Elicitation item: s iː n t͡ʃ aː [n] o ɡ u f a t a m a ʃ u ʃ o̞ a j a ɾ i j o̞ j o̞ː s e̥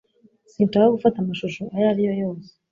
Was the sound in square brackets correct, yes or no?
no